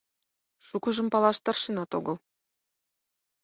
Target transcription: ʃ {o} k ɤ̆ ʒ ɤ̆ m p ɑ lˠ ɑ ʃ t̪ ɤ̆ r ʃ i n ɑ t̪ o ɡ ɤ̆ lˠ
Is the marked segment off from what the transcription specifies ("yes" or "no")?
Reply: yes